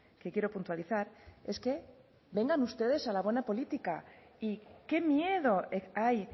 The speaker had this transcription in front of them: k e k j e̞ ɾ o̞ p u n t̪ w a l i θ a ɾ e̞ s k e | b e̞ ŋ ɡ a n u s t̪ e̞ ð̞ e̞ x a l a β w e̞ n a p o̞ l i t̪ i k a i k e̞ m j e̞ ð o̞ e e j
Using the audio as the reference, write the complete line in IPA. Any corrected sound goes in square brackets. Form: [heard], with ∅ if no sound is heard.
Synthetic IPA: k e k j e̞ ɾ o̞ p u n t̪ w a l i θ a ɾ e̞ s k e | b e̞ ŋ ɡ a n u s t̪ e̞ ð̞ e̞ [s] a l a β w e̞ n a p o̞ l i t̪ i k a i k e̞ m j e̞ ð o̞ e [a] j